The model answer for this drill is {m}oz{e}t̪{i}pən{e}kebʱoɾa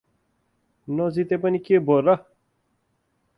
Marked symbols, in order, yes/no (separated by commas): no, no, no, no